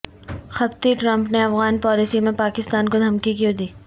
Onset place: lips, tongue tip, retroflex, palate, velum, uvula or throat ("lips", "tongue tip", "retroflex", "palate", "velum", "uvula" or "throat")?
velum